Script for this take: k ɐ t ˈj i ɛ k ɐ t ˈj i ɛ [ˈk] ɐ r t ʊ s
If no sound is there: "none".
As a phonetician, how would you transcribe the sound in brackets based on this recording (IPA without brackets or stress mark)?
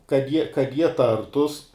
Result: t